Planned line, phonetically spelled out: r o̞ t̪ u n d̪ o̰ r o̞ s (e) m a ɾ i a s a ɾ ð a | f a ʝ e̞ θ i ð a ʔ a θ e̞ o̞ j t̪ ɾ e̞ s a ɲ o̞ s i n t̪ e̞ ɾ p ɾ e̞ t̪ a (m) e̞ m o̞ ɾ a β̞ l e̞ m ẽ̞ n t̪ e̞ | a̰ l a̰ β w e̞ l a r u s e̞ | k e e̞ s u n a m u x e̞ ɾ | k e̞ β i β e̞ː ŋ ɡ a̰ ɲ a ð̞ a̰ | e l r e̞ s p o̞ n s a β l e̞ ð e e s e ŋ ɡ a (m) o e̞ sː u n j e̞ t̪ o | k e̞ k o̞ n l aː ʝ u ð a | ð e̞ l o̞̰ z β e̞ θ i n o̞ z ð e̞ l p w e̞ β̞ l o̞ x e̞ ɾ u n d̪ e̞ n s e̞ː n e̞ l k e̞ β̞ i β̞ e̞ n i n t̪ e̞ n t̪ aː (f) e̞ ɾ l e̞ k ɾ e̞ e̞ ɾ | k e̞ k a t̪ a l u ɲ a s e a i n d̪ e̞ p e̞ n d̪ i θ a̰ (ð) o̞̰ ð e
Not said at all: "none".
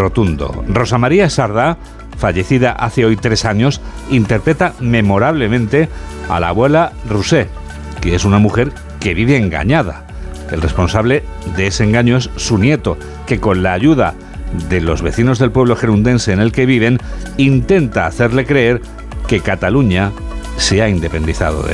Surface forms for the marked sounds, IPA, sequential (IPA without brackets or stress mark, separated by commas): a, m, ɲ, θ, ð